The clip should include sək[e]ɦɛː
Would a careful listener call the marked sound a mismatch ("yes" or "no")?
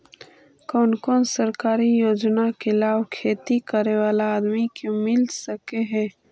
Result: no